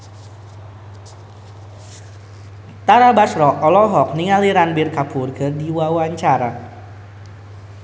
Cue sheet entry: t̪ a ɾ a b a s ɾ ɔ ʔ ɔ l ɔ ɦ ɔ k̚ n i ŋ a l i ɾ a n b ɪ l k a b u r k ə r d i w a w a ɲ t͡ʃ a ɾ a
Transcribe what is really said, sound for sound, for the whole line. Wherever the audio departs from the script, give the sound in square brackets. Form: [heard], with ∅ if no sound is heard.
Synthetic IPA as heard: t̪ a ɾ a b a s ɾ ɔ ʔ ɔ l ɔ ɦ ɔ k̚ n i ŋ a l i ɾ a n b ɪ [r] k a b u r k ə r d i w a w a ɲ t͡ʃ a ɾ a